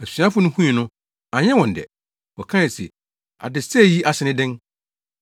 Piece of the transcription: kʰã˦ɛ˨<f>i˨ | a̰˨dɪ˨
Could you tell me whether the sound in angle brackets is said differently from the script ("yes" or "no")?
yes